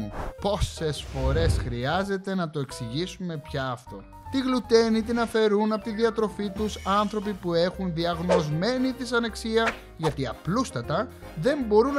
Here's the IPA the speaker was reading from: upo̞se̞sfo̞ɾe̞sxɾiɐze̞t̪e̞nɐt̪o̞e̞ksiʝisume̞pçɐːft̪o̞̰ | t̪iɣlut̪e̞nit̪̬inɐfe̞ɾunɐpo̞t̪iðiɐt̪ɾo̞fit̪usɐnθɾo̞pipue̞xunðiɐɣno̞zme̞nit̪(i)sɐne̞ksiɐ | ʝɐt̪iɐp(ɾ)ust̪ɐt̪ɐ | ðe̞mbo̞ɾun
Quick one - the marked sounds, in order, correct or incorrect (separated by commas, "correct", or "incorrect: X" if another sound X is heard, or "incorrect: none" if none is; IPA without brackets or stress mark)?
correct, incorrect: l